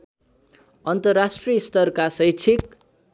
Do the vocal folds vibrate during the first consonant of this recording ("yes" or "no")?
yes